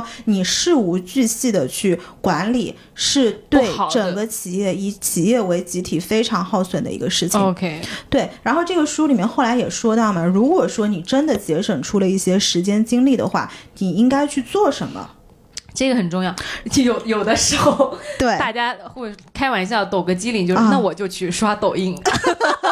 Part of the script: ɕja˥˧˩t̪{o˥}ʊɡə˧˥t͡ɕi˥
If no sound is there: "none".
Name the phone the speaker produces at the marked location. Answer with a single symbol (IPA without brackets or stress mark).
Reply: o˨˩